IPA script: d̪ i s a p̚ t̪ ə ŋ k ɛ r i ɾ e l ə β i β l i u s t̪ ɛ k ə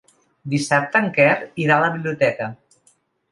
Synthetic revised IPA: d̪ i s a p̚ t̪ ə ŋ k ɛ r i ɾ a l ə β i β l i u t̪ ɛ k ə